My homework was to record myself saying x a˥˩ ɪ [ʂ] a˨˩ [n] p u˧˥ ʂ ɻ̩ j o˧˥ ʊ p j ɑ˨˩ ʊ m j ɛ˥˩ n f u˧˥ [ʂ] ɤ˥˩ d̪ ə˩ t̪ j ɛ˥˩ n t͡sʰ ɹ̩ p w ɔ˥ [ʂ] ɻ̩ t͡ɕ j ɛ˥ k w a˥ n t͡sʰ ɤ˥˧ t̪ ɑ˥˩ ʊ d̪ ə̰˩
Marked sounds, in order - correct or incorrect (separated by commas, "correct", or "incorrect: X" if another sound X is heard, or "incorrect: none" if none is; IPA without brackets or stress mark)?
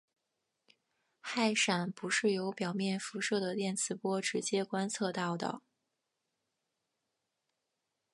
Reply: correct, correct, correct, incorrect: ʈ͡ʂ